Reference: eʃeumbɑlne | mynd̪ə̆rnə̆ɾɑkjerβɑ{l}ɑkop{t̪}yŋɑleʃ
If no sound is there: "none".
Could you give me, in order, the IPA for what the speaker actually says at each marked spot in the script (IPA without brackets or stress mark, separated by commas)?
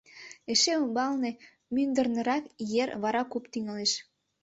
ɾ, t̪